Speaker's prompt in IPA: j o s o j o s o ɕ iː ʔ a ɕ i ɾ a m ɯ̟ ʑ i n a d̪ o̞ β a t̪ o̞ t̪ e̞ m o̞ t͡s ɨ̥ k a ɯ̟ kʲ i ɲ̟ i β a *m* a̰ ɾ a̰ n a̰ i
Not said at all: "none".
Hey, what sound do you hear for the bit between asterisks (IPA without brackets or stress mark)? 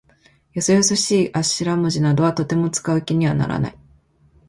n